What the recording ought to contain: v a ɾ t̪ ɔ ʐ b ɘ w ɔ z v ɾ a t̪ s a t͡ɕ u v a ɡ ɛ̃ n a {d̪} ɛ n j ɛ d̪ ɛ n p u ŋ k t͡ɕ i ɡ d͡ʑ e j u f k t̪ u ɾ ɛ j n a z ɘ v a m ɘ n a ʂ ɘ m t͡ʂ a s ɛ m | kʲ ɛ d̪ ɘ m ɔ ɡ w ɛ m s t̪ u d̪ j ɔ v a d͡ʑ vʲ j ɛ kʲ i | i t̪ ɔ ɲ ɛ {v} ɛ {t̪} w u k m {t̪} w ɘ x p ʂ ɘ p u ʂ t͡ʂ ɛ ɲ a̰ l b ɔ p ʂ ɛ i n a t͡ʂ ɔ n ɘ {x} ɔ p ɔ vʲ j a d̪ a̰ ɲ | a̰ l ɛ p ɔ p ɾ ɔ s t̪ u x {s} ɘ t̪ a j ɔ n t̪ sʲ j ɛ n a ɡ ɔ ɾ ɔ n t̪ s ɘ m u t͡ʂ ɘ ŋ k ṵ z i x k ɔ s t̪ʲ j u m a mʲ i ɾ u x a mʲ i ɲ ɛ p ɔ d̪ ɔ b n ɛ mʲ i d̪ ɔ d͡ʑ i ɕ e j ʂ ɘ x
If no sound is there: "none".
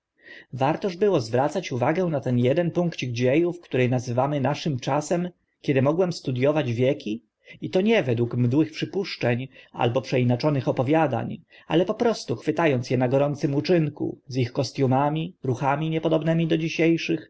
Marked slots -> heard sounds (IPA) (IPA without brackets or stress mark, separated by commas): t̪, v, d̪, d̪, x, f